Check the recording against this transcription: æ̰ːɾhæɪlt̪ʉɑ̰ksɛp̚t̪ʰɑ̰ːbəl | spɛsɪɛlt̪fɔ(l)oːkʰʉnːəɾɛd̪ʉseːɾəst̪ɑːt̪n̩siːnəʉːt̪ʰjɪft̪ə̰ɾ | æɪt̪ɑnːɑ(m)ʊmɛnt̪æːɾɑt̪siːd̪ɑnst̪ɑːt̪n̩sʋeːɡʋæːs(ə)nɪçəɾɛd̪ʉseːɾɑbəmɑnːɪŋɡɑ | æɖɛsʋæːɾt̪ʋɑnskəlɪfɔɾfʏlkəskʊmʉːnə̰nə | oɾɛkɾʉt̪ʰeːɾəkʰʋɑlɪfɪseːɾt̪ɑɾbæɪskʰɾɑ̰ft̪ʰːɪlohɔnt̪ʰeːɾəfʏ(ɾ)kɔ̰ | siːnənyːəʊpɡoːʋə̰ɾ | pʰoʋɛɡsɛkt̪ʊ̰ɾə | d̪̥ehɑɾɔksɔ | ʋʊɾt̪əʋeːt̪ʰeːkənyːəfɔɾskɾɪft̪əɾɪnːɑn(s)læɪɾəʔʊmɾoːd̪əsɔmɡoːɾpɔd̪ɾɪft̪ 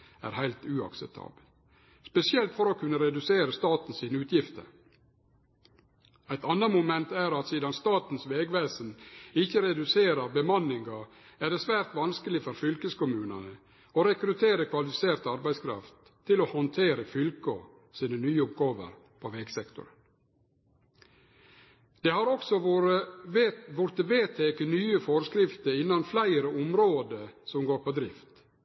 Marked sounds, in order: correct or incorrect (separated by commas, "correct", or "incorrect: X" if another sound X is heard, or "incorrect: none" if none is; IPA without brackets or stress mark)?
incorrect: ɾ, correct, correct, incorrect: l, incorrect: f